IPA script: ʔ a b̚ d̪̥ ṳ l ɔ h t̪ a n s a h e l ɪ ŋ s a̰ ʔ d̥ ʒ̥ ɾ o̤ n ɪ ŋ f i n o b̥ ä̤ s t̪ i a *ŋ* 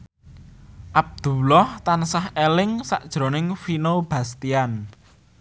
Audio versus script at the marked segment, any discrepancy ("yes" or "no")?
yes